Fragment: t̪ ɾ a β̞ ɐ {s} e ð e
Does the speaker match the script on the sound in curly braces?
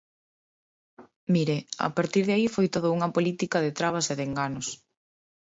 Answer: yes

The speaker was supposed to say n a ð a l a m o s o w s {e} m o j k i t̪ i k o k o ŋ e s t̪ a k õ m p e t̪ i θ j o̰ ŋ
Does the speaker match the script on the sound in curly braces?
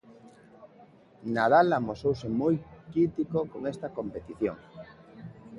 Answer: yes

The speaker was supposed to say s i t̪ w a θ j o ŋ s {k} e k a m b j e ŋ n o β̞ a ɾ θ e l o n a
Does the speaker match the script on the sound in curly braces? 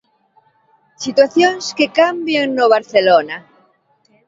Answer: yes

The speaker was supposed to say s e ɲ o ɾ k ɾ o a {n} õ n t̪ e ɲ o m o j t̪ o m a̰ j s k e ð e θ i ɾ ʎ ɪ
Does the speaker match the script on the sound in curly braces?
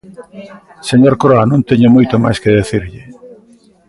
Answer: yes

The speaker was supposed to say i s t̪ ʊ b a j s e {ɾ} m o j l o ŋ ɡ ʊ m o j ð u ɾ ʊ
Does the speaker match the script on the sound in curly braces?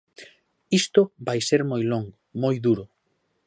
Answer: yes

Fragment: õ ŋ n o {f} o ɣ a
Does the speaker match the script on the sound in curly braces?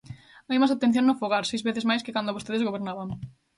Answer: yes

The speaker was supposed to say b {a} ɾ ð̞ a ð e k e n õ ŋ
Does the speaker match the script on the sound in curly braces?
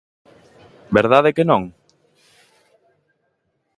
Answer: no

